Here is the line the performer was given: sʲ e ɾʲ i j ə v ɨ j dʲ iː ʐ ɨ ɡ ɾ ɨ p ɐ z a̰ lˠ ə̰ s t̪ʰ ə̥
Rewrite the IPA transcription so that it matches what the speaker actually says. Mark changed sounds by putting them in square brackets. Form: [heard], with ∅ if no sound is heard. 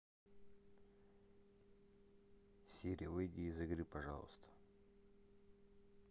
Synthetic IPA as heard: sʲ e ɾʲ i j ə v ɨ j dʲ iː [z] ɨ ɡ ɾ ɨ p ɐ [ʐ] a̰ lˠ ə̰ s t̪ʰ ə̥